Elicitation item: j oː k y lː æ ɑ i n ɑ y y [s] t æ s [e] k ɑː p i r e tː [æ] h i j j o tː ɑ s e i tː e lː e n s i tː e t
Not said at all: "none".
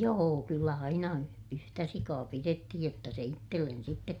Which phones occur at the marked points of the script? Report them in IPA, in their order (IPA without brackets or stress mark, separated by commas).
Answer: h, i, i